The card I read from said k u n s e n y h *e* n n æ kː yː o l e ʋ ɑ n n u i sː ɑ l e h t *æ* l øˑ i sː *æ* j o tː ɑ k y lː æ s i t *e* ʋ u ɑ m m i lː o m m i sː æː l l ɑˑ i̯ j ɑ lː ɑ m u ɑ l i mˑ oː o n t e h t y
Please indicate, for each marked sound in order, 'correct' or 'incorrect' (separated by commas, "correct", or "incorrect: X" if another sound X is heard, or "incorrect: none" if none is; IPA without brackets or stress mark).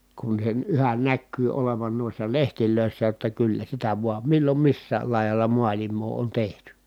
incorrect: æ, incorrect: i, correct, incorrect: æ